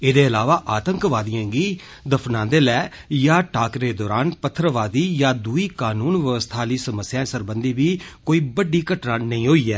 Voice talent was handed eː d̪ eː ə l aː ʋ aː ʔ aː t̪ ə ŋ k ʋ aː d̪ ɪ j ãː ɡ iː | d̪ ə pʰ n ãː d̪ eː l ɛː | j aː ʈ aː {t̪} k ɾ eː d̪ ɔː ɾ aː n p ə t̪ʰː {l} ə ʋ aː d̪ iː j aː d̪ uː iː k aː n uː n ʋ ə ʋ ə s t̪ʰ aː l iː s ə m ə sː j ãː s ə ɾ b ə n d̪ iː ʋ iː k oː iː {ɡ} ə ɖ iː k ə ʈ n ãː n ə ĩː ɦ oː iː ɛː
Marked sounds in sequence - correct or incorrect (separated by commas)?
incorrect, incorrect, incorrect